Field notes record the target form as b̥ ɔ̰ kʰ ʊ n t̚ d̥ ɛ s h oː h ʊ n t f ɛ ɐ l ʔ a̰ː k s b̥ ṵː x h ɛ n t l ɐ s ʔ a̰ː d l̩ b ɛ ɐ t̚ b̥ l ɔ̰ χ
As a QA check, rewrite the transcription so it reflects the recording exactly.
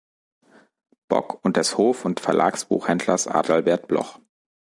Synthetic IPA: b̥ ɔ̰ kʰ ʊ n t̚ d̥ ɛ s h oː f ʊ n t f ɛ ɐ l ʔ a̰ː k s b̥ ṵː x h ɛ n d l ɐ s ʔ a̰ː d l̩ b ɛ ɐ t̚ b̥ l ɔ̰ χ